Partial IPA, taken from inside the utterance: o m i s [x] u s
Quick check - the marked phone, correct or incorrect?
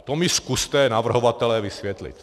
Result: incorrect